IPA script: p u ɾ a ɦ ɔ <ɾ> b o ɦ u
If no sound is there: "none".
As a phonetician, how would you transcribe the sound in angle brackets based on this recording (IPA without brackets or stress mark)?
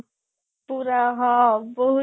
none